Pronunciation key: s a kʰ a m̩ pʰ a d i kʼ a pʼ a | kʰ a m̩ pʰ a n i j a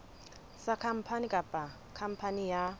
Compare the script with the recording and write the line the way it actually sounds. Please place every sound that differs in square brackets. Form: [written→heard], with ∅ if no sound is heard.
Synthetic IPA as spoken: s a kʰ a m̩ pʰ a [d→n] i kʼ a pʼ a | kʰ a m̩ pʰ a n i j a